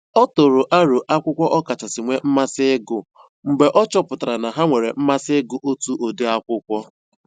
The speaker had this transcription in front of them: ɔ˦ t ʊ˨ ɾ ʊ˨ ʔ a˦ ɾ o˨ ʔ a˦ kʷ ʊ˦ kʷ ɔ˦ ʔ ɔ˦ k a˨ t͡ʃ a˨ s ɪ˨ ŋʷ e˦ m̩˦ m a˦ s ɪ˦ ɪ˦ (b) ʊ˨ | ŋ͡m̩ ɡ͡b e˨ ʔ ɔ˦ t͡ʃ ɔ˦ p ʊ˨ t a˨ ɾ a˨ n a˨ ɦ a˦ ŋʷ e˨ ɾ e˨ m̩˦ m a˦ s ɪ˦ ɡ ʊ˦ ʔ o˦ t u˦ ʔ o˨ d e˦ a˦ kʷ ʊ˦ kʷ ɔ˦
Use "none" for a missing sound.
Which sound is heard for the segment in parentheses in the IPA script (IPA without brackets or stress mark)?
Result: ɡ